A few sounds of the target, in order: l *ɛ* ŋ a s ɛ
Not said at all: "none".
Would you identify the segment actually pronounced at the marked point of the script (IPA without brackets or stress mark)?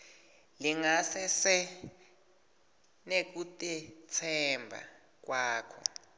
i